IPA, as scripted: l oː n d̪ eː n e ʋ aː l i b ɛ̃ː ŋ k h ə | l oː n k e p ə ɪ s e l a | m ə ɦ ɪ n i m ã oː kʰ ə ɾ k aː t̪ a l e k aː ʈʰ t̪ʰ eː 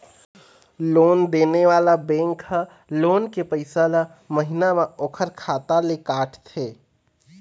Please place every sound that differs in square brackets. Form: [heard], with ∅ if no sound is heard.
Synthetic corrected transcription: l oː n d̪ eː n e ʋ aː l [a] b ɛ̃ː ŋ k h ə | l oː n k e p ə ɪ s [a] l a | m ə ɦ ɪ n [a] m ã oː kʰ ə ɾ [kʰ] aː t̪ a l e k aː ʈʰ t̪ʰ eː